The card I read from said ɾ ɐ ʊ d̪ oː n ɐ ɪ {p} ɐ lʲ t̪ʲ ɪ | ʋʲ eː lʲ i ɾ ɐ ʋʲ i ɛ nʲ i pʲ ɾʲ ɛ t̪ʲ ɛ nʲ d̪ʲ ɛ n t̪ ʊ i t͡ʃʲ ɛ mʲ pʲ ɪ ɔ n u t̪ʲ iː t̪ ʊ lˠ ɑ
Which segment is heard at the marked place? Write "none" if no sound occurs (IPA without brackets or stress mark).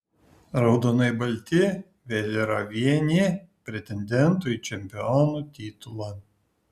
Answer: b